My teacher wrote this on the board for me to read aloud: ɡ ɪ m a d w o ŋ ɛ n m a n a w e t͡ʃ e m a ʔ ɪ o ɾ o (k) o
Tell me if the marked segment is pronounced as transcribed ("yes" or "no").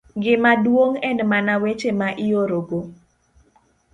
no